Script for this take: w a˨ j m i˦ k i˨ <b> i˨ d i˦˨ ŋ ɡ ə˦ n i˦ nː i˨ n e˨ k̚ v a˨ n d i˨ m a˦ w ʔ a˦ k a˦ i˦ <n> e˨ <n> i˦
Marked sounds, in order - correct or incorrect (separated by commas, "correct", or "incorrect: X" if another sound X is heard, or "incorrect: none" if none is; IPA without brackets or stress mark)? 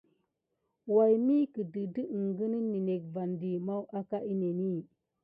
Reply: incorrect: d, correct, correct